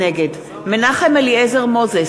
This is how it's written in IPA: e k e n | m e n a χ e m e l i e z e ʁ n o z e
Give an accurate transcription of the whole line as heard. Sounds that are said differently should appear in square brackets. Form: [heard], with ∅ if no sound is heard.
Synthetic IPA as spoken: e [ɡ] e [d] | m e n a χ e m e l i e z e ʁ [m] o z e